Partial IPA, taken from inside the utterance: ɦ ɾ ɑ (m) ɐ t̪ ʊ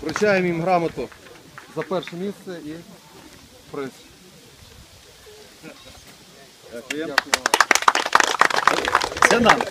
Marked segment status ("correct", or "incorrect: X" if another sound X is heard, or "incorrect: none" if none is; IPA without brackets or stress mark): correct